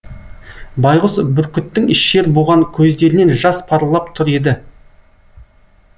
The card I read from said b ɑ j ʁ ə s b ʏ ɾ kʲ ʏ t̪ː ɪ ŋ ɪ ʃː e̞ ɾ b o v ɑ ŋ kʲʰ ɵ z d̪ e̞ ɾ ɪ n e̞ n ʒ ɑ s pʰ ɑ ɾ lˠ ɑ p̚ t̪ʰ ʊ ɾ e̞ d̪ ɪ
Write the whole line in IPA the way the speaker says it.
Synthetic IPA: b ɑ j ʁ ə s b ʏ ɾ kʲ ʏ t̪ː ɪ ŋ ɪ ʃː e̞ ɾ b o ʁ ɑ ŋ kʲʰ ɵ z d̪ e̞ ɾ ɪ n e̞ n ʒ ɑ s pʰ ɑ ɾ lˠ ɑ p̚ t̪ʰ ʊ ɾ e̞ d̪ ɪ